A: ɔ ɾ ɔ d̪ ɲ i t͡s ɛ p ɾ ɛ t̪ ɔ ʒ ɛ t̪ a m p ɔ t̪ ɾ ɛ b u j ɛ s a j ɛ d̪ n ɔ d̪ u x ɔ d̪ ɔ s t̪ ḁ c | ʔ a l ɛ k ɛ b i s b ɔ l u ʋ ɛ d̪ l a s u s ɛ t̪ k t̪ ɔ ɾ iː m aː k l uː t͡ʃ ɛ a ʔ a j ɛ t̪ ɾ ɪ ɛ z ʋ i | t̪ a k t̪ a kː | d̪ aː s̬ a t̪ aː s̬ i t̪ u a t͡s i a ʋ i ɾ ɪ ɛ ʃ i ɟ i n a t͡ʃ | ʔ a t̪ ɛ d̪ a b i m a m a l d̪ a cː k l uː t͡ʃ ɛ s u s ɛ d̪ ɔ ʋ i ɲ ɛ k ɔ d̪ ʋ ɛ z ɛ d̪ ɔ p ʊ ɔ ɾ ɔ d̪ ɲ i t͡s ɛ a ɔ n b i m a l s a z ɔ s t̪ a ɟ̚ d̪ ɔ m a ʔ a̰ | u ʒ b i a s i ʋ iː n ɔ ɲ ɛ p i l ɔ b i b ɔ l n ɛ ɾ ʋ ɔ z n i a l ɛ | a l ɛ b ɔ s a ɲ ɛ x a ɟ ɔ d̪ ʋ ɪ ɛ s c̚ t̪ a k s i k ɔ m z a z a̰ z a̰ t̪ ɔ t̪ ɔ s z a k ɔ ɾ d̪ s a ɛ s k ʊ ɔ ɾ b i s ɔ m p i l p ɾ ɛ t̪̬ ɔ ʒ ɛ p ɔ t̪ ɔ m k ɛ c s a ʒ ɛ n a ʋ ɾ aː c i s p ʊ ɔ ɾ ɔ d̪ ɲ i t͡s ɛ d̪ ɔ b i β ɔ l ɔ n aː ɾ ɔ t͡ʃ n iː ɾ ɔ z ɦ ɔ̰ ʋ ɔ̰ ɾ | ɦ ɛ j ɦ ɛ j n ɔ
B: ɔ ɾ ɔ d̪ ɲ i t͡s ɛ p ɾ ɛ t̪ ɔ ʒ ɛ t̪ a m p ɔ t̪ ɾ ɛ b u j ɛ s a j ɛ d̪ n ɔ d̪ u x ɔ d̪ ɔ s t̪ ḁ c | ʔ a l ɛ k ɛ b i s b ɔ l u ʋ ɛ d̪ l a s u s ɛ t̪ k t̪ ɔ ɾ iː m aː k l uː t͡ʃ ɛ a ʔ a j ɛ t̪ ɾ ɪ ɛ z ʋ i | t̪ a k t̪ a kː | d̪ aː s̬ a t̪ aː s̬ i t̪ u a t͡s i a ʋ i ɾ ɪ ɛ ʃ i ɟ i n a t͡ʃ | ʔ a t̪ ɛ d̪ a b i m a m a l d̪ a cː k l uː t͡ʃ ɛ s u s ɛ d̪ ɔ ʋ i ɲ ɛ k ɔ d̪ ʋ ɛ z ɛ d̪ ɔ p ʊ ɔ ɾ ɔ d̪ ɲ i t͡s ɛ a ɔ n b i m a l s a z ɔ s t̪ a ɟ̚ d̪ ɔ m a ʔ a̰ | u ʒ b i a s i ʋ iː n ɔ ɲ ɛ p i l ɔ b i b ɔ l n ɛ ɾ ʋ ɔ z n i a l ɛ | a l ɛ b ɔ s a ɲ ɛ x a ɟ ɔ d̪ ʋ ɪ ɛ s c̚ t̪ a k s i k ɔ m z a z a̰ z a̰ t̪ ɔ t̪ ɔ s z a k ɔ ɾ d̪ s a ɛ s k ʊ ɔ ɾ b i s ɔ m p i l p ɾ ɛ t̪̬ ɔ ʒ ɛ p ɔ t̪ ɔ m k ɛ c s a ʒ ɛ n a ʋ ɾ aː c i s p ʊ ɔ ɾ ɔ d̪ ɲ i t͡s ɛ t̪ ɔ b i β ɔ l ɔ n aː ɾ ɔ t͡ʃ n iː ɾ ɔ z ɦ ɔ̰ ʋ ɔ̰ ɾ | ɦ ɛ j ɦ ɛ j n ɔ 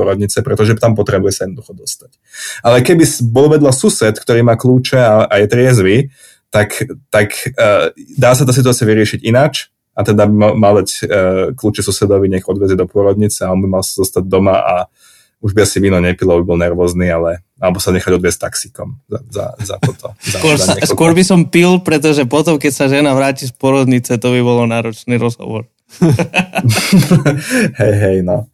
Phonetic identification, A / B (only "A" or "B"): B